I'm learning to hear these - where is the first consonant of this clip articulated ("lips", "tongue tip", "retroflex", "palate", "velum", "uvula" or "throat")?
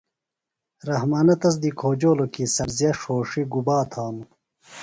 tongue tip